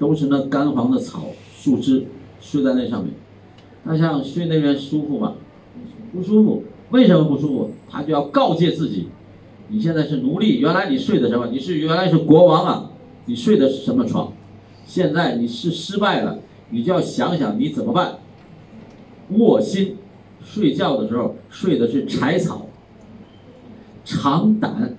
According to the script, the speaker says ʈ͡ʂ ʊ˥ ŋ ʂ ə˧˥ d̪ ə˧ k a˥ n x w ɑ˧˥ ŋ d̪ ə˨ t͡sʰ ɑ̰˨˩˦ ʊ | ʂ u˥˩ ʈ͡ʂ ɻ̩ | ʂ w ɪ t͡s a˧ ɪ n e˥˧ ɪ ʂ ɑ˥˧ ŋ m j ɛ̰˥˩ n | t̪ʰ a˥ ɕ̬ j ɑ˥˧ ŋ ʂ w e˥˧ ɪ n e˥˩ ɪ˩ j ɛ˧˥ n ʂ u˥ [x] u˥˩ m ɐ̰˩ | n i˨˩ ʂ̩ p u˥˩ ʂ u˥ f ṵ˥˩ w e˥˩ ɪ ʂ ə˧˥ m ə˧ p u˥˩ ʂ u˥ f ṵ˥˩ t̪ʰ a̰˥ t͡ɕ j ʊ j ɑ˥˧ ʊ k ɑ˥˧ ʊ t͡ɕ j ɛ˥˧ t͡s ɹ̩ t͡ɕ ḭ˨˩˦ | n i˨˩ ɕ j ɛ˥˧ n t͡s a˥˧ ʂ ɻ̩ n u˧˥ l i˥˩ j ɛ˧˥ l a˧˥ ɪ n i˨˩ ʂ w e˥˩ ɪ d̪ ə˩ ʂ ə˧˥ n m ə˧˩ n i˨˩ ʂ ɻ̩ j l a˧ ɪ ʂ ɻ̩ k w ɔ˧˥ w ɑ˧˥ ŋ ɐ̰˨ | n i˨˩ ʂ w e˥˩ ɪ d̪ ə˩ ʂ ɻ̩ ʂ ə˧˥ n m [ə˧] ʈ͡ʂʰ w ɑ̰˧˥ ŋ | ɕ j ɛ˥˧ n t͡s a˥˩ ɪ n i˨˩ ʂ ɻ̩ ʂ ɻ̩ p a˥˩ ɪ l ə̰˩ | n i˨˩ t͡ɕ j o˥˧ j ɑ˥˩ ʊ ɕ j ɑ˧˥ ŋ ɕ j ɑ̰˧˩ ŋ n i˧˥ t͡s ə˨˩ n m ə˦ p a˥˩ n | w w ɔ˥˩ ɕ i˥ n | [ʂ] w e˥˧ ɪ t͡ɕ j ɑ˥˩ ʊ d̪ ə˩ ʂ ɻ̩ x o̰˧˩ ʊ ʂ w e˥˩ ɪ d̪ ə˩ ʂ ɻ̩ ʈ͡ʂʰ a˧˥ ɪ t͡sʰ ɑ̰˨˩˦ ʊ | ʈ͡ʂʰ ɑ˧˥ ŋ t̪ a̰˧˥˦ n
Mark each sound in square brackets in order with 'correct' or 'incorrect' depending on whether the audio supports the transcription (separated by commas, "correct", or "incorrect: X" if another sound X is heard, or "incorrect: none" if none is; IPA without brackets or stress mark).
incorrect: f, correct, correct